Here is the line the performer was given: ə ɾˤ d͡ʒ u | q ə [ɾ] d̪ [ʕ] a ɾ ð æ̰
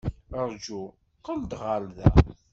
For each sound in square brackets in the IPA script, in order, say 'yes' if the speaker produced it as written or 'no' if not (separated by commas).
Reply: no, no